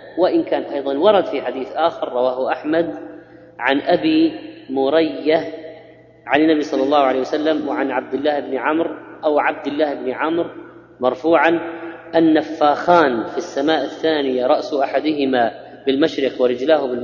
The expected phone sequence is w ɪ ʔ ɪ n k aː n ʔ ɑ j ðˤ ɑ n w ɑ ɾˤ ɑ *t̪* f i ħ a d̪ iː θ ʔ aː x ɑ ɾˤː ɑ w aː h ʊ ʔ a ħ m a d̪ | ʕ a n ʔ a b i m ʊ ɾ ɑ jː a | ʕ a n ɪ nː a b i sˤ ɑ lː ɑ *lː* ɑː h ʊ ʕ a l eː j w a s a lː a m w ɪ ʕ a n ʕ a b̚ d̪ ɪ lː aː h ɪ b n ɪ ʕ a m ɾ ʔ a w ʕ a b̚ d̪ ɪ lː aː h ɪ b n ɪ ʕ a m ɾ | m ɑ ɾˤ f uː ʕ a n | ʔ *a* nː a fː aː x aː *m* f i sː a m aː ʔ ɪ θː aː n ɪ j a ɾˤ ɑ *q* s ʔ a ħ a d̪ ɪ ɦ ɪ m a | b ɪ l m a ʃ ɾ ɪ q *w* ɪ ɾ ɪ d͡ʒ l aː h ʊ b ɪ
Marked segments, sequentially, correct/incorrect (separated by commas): incorrect, correct, correct, incorrect, incorrect, correct